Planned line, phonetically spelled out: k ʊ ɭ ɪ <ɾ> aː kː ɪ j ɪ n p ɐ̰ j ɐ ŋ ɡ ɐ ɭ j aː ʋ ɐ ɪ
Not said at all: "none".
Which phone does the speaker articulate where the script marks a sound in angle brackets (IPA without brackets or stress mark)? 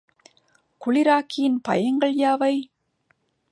ɾ